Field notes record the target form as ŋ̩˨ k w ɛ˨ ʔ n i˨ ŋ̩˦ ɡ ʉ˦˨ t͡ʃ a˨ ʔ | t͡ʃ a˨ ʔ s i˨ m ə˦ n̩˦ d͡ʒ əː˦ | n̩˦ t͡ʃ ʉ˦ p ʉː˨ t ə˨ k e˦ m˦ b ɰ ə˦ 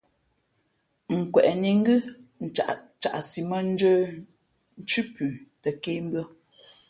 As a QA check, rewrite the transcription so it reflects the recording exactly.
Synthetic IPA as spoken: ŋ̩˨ k w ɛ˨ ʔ n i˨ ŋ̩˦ ɡ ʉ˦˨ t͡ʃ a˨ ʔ | t͡ʃ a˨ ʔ s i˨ m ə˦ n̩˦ d͡ʒ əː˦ | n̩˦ t͡ʃ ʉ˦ p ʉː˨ t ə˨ k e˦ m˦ b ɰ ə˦